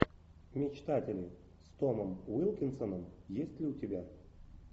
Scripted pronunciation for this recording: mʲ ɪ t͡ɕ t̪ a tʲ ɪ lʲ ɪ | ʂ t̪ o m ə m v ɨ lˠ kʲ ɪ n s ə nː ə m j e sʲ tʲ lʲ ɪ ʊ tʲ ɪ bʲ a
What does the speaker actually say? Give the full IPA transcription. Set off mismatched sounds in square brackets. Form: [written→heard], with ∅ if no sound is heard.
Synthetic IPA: mʲ ɪ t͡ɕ t̪ a tʲ ɪ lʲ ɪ | [ʂ→s] t̪ o m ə m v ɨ lˠ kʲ ɪ n s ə [nː→n] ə m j e sʲ tʲ lʲ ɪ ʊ tʲ ɪ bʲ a